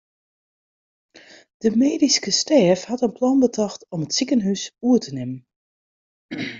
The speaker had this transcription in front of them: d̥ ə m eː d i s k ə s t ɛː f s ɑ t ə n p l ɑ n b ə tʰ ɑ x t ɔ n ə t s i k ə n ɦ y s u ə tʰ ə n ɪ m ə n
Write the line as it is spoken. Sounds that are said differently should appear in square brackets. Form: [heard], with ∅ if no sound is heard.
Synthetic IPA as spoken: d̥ ə m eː d i s k ə s t ɛː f [h] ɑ t ə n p l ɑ n b ə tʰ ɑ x t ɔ [m] ə t s i k ə n ɦ y s u ə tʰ ə n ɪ m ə n

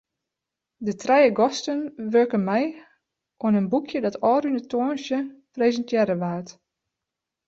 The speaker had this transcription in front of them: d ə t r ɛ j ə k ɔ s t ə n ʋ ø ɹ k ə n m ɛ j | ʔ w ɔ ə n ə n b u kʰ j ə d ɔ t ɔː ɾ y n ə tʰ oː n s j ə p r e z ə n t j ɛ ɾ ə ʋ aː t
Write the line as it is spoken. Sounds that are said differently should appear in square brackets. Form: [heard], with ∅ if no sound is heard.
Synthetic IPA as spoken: d ə t r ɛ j ə [ɡ] ɔ s t ə n ʋ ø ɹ k ə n m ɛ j | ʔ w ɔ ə n ə n b u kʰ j ə d ɔ t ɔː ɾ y n ə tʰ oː n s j ə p r e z ə n t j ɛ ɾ ə ʋ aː t

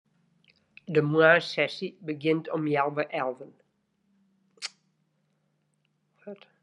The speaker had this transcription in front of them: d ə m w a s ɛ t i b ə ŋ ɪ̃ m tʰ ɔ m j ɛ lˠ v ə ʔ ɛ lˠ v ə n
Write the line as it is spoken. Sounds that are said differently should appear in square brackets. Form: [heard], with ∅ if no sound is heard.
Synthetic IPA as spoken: d ə m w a s ɛ [s] i b ə [ɡ] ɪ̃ [n] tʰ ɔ m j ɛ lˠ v ə ʔ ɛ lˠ v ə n

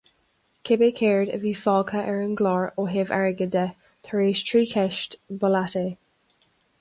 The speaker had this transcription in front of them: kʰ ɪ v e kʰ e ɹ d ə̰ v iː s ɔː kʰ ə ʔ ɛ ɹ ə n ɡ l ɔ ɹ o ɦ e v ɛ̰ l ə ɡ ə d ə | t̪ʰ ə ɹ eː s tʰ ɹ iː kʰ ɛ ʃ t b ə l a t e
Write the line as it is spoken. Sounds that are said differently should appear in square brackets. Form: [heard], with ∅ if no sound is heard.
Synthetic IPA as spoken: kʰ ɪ [b] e kʰ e ɹ d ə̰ v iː [f] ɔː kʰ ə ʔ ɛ ɹ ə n ɡ l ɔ ɹ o ɦ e v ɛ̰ [ɹ] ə ɡ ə d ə | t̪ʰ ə ɹ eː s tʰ ɹ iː kʰ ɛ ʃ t b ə l a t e

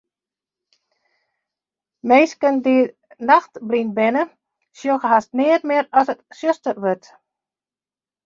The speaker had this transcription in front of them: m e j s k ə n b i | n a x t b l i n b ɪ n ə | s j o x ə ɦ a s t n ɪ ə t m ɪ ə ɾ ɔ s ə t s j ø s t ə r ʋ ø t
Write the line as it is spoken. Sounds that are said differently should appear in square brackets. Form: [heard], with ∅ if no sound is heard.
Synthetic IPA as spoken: m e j s k ə n [d] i | n a x t b l i n b ɪ n ə | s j o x ə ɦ a s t n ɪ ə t m ɪ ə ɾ ɔ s ə t s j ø s t ə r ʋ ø t

